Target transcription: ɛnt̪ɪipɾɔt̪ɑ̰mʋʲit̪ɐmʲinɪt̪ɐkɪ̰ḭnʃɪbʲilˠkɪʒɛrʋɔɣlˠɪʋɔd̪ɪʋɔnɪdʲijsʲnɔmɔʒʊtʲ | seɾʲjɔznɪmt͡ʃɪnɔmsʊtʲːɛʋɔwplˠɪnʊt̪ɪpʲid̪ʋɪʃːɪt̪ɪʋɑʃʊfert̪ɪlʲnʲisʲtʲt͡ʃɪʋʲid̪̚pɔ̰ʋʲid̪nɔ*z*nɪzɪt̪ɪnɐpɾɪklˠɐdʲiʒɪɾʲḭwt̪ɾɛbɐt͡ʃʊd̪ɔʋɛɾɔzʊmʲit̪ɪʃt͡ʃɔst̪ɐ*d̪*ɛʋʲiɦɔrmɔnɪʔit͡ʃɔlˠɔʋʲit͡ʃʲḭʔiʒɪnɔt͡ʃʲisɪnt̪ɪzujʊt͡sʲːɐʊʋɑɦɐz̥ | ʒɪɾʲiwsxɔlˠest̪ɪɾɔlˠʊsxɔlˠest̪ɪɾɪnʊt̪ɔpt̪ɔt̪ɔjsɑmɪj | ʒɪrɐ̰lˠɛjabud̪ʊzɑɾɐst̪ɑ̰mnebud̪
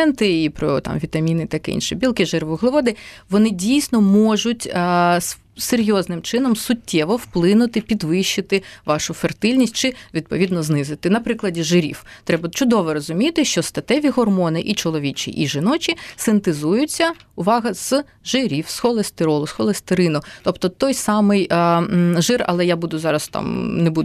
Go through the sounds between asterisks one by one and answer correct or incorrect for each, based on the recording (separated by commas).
correct, incorrect